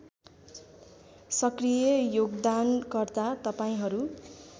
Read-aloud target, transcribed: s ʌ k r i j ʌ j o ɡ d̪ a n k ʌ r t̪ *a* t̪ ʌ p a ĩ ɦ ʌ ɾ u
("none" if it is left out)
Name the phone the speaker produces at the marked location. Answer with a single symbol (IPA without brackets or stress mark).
a